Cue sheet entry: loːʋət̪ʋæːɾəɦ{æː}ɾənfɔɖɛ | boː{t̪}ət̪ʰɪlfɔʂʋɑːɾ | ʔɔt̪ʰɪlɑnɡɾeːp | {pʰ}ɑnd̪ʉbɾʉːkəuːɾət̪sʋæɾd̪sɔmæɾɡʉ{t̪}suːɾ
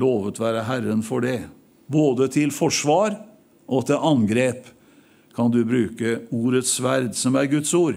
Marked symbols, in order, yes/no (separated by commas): no, no, no, yes